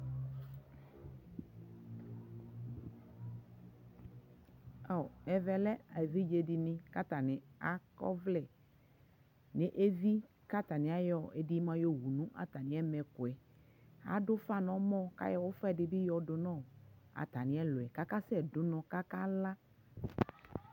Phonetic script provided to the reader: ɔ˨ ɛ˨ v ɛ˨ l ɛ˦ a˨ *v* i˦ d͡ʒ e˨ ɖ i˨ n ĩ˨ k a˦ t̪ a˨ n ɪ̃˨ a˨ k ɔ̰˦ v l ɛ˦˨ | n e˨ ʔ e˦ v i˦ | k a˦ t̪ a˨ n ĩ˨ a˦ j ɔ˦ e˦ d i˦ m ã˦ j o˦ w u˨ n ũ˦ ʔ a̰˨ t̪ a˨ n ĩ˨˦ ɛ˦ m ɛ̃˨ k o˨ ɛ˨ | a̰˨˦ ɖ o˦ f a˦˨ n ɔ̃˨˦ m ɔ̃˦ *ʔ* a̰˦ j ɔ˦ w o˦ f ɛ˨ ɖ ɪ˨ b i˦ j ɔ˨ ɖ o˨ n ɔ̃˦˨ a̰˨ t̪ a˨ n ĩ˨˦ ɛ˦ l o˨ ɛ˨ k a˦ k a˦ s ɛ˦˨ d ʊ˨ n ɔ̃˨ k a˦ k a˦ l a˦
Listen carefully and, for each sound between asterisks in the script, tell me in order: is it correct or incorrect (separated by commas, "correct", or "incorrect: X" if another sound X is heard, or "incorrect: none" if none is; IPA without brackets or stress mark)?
correct, incorrect: k